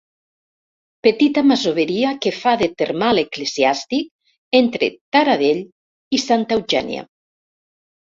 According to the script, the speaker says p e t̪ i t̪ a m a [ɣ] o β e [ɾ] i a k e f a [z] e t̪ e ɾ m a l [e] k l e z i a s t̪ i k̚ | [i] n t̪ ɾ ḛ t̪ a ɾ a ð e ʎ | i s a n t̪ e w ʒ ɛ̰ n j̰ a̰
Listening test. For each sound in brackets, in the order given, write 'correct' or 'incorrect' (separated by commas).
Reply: incorrect, correct, incorrect, correct, incorrect